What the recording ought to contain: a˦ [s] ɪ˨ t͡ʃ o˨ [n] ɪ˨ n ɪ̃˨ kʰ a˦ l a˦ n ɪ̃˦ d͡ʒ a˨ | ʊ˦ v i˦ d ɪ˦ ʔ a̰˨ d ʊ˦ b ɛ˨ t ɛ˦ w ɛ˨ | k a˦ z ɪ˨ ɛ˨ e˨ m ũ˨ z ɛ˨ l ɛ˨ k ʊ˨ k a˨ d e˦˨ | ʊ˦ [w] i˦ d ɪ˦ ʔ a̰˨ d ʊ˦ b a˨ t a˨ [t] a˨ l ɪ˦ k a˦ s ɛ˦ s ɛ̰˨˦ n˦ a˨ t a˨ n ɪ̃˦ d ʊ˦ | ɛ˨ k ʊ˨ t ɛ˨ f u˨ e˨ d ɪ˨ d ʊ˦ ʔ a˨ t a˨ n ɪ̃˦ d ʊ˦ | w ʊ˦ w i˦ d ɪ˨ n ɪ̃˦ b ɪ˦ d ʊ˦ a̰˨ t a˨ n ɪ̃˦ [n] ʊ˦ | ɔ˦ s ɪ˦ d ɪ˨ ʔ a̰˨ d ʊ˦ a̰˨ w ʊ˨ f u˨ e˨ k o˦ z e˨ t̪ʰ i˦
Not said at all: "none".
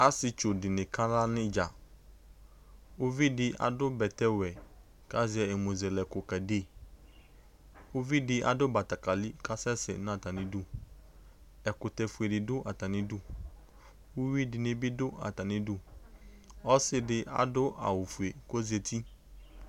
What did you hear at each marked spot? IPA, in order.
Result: s, d, v, k, d

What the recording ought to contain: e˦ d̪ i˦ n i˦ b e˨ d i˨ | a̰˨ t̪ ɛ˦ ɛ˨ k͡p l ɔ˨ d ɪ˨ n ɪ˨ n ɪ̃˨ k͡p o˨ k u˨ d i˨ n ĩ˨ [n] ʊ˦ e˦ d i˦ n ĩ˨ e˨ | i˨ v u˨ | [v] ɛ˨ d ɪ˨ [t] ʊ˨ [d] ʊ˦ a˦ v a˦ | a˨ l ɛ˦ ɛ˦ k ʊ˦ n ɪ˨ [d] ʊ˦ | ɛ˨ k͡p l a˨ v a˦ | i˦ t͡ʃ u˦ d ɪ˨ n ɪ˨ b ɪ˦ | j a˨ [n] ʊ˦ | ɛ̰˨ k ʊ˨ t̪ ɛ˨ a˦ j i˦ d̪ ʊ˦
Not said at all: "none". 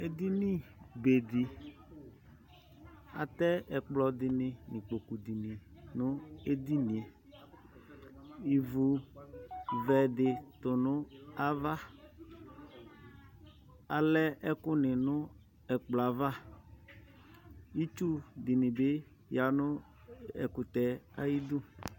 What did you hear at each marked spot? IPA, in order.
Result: n, v, t, n, n, n

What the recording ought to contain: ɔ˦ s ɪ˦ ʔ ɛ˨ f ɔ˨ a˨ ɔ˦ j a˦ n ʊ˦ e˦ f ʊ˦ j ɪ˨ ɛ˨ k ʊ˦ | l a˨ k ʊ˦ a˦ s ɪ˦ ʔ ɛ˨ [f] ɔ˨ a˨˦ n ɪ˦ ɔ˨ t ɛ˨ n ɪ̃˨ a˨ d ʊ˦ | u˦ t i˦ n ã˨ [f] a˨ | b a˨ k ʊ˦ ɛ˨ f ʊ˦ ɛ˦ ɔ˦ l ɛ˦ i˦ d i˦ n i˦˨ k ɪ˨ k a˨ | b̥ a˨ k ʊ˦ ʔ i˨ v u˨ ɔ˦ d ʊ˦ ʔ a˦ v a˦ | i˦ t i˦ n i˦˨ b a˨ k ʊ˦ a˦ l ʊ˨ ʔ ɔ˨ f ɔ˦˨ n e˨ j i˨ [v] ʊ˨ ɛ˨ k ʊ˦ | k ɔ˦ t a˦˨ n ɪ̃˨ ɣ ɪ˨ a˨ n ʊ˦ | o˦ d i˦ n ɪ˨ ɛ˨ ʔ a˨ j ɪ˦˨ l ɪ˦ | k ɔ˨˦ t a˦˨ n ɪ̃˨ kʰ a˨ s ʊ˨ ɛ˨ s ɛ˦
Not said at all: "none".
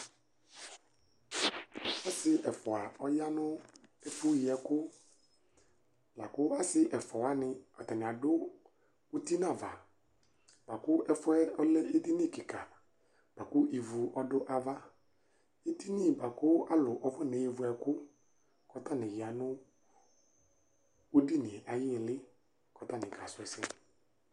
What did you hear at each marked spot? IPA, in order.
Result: f, v, v

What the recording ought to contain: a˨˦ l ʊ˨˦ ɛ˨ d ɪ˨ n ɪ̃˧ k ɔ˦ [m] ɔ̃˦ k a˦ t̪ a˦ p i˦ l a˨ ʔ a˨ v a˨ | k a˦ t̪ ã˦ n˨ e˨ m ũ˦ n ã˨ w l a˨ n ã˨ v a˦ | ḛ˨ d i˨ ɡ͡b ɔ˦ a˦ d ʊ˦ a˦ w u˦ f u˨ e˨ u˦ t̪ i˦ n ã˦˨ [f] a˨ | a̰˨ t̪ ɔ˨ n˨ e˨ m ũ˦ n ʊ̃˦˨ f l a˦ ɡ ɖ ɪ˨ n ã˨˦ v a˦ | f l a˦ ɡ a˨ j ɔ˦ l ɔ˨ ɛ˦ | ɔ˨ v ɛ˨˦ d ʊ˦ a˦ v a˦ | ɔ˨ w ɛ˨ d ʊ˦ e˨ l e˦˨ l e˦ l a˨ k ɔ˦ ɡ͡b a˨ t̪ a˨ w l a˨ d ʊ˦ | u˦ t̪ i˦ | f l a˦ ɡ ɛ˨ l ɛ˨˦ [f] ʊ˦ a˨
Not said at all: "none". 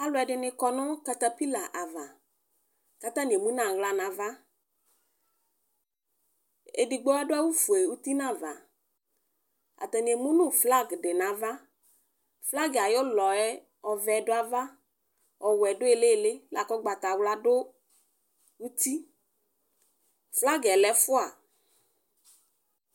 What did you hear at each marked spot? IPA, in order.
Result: n, v, f

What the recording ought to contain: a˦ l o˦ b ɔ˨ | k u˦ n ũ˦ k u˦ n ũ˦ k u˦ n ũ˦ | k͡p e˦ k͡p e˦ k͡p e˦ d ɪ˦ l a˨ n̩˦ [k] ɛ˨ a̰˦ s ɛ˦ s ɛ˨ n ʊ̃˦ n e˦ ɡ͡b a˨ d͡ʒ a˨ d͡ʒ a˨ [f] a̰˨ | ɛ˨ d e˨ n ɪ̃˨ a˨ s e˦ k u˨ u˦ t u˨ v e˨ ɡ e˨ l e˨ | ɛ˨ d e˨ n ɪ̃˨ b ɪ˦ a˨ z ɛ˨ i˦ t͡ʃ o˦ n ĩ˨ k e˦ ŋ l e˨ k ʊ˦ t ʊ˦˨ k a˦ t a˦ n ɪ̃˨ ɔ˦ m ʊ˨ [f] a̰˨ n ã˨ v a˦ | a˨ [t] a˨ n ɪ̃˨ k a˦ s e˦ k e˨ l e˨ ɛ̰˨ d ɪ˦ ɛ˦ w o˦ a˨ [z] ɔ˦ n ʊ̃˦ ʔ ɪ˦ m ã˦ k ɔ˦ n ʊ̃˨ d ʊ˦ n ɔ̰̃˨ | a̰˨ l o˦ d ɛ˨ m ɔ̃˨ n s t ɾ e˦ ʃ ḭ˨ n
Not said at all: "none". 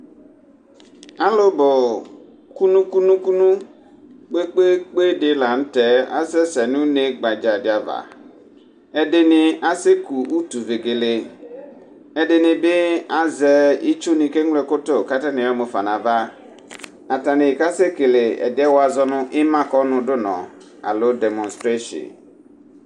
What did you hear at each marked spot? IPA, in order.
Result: t, v, f, t, z

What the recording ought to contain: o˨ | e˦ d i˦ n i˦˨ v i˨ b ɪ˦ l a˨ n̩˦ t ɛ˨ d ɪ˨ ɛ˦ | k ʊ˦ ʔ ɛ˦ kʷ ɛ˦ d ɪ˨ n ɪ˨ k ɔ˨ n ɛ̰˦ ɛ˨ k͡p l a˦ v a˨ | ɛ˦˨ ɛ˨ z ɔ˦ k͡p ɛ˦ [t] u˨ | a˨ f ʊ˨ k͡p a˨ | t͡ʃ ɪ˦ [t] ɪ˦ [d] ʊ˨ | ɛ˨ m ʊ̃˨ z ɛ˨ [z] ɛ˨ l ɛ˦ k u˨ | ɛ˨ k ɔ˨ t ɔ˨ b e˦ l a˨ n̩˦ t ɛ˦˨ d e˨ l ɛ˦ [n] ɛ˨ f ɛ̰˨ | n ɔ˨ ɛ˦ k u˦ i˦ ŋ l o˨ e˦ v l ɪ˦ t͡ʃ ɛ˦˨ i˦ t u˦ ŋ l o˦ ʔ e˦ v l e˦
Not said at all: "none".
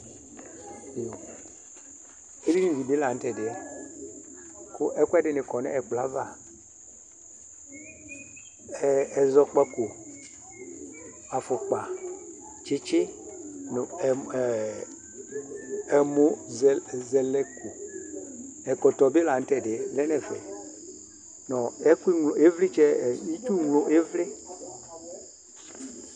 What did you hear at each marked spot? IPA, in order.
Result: k, t͡ʃ, n, z, n

